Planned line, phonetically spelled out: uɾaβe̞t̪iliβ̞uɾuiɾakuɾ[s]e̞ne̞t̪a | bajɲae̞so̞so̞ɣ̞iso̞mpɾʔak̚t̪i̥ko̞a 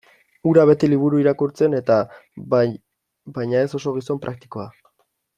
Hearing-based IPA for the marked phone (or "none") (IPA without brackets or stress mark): t͡s